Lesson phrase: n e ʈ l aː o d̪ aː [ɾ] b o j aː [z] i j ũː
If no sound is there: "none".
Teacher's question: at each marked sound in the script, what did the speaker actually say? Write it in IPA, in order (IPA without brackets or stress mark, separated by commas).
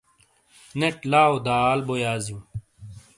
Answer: l, z